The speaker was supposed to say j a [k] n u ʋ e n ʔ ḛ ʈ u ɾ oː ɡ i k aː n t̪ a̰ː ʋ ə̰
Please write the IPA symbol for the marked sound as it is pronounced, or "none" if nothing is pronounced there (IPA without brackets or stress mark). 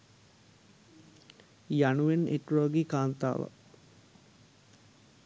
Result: none